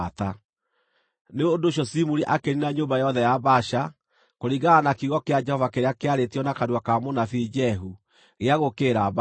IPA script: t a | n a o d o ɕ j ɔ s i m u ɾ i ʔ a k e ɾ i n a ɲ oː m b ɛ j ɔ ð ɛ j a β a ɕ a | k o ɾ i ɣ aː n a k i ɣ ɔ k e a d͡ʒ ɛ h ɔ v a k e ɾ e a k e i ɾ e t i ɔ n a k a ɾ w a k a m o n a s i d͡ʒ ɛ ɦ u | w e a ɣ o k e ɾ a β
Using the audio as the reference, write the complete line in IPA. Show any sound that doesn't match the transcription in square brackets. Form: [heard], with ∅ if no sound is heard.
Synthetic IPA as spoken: t a | n [e] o d o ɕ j ɔ s i m u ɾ i ʔ a k e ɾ i n a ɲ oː m b [a] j ɔ ð ɛ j a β a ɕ a | k o ɾ i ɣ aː n a k i ɣ ɔ k e a d͡ʒ ɛ h ɔ v a k e ɾ e a k e [a] ɾ e t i ɔ n a k a ɾ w a k a m o n a [f] i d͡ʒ ɛ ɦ u | [ɣ] e a ɣ o k e ɾ a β